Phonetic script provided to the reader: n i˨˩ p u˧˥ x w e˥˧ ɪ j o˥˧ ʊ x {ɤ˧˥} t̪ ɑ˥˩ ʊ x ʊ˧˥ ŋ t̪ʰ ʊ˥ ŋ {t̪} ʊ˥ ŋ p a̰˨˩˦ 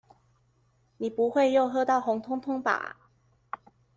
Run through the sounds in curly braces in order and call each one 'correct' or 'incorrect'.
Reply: incorrect: ɤ˥˧, incorrect: t̪ʰ

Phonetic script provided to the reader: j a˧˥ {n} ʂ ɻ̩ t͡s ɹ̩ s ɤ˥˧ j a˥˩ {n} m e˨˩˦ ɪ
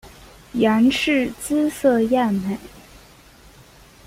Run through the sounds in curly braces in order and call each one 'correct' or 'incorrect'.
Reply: correct, correct

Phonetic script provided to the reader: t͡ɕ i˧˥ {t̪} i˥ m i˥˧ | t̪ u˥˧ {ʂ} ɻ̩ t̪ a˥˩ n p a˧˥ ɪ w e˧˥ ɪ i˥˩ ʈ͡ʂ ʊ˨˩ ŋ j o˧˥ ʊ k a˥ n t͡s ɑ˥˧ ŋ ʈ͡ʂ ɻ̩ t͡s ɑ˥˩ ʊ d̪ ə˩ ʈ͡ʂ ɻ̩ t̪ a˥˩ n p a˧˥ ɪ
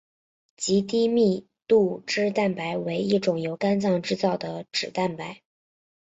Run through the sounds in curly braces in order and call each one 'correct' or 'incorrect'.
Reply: correct, incorrect: ʈ͡ʂ

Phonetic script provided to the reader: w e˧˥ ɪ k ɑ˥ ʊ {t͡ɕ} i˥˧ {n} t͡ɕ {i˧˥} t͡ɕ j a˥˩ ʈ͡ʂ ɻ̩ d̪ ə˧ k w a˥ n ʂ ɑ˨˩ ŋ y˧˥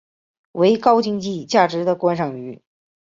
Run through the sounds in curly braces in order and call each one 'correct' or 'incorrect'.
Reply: correct, incorrect: ŋ, incorrect: i˥˧

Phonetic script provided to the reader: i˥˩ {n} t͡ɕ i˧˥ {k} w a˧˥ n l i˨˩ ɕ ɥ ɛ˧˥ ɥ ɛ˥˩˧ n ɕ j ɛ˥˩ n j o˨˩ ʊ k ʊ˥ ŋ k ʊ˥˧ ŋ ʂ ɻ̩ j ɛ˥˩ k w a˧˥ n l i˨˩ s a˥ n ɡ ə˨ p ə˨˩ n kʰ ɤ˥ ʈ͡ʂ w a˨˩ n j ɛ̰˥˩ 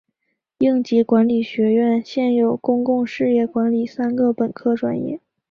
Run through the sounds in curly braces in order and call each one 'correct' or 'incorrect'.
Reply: incorrect: ŋ, correct

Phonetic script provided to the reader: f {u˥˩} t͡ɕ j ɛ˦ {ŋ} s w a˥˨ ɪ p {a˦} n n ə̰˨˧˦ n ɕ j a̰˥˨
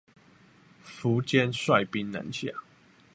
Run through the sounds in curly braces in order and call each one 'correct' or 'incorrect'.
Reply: incorrect: u˨˦, incorrect: n, incorrect: i˦

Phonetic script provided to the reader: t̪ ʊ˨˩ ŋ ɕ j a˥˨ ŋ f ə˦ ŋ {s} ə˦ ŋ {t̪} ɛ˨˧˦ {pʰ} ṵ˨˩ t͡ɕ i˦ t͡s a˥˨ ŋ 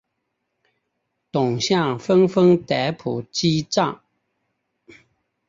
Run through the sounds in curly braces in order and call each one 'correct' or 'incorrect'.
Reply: incorrect: f, correct, correct

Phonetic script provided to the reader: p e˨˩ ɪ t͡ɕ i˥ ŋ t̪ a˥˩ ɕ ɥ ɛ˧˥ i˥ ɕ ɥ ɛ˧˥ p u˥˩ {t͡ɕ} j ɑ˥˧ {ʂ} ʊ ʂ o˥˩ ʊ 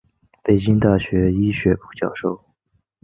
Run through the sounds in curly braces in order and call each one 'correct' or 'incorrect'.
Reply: correct, incorrect: none

